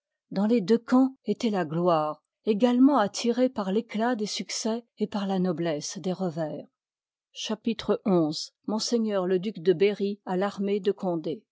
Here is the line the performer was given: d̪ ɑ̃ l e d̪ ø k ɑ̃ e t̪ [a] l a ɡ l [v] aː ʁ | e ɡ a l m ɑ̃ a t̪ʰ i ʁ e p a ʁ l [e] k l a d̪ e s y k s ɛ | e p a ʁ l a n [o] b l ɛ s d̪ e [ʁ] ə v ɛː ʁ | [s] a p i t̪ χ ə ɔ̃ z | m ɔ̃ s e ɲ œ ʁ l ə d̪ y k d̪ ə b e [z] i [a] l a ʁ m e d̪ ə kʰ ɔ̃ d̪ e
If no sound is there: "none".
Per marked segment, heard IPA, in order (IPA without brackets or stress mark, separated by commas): ɛ, w, e, ɔ, ʁ, ʃ, ʁ, a